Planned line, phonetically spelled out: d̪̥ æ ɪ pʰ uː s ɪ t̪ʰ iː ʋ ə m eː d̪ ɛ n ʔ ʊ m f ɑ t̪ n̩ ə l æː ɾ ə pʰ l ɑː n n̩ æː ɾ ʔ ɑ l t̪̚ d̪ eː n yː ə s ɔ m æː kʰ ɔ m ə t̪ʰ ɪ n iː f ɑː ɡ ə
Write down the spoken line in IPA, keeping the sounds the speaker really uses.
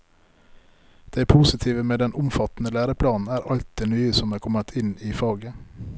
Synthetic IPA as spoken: d̪̥ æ ɪ pʰ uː s ɪ t̪ʰ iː ʋ ə m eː d̪ ɛ n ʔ ʊ m f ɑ t̪ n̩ ə l æː ɾ ə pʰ l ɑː n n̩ æː ɾ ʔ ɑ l t̪̚ d̪ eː n yː ə s ɔ m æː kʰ ɔ m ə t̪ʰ ɪ n iː f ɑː ɡ ə